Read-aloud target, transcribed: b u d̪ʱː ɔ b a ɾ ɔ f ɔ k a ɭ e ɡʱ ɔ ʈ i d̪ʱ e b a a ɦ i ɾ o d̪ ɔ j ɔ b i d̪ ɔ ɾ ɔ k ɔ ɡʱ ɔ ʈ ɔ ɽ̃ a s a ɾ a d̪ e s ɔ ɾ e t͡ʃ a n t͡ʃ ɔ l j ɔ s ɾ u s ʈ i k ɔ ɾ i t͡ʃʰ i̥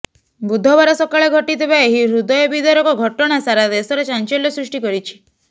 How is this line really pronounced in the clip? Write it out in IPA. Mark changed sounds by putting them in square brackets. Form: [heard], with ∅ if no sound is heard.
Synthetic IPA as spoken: b u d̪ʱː ɔ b a ɾ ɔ [s] ɔ k a ɭ e ɡʱ ɔ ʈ i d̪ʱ e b a [e] ɦ i ɾ [u] d̪ ɔ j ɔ b i d̪ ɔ ɾ ɔ k ɔ ɡʱ ɔ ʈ ɔ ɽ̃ a s a ɾ a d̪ e s ɔ ɾ e t͡ʃ a n t͡ʃ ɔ l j ɔ s ɾ u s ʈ i k ɔ ɾ i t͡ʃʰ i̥